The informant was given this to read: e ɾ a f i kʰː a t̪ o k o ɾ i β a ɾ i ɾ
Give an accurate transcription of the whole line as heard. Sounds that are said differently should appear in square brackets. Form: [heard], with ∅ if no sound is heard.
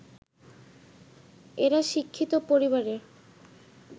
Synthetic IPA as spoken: e ɾ a [ʃ] i kʰː [i] t̪ o [p] o ɾ i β a ɾ [e] ɾ